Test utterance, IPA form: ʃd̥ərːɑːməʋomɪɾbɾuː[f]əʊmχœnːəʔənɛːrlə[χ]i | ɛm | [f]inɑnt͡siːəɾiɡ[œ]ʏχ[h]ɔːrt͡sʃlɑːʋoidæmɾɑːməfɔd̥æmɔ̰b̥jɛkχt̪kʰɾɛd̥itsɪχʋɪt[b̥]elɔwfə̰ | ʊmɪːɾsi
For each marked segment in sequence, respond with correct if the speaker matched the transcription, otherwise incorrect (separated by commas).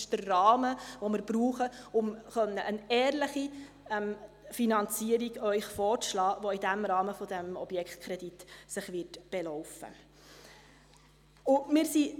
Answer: incorrect, correct, correct, correct, incorrect, correct